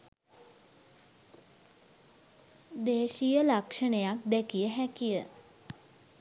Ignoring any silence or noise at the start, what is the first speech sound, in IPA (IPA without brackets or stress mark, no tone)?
d̪